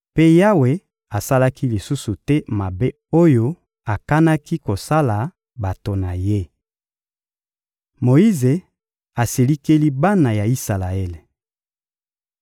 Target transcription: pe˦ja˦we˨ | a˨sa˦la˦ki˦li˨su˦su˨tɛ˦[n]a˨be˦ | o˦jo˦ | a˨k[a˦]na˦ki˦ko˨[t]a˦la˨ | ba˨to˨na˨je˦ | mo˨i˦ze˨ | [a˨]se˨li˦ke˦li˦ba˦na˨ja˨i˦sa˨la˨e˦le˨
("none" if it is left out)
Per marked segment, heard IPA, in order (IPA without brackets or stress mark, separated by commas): m, a˦, s, a˨